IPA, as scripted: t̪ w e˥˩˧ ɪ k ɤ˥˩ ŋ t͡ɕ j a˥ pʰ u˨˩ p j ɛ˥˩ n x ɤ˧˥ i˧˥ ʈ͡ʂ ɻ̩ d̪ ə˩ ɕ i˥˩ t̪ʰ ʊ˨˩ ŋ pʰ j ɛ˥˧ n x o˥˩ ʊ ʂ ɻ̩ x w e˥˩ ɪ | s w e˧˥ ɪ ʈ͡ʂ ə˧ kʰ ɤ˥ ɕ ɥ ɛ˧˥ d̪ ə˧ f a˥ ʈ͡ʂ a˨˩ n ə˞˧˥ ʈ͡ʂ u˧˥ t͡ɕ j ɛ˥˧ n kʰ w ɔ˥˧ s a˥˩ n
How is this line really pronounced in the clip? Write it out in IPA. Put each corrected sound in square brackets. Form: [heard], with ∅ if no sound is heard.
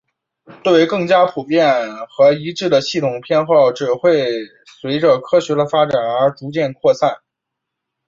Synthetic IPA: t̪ w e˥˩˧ ɪ k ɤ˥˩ ŋ t͡ɕ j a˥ pʰ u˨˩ p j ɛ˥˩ n x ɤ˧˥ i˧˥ ʈ͡ʂ ɻ̩ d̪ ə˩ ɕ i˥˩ t̪ʰ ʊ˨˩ ŋ pʰ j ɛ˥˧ n x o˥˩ ʊ [ʈ͡ʂ] ɻ̩ x w e˥˩ ɪ | s w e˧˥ ɪ ʈ͡ʂ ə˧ kʰ ɤ˥ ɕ ɥ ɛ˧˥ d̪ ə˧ f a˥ ʈ͡ʂ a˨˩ n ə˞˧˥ ʈ͡ʂ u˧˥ t͡ɕ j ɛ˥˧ n kʰ w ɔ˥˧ s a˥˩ n